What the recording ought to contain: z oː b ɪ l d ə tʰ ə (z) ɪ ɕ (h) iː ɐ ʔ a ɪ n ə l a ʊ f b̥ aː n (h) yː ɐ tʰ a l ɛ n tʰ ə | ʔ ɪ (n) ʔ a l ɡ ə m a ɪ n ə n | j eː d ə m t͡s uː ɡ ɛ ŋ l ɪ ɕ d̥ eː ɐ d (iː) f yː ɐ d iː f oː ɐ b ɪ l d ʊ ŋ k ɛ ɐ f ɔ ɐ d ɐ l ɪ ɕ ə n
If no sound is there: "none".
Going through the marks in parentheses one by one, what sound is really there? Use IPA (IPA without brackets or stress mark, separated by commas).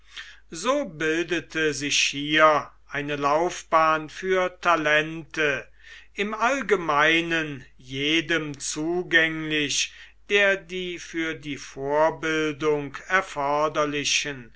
z, h, f, m, iː